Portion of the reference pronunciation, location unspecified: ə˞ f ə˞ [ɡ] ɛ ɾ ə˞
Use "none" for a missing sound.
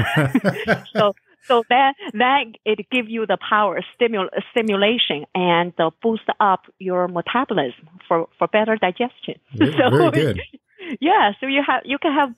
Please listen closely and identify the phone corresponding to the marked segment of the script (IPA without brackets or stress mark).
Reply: b